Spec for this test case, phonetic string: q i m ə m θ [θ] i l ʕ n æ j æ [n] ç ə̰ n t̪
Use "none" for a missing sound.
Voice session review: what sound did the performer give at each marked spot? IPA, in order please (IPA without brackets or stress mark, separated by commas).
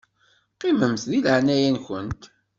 ð, n